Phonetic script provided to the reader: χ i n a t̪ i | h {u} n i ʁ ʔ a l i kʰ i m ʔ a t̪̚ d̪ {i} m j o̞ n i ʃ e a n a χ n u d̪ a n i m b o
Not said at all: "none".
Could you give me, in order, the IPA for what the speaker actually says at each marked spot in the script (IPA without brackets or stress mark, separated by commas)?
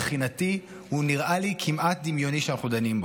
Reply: u, i